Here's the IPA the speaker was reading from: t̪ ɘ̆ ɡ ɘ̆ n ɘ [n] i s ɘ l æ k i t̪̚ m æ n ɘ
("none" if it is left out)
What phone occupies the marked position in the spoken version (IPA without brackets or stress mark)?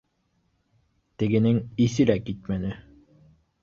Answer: ŋ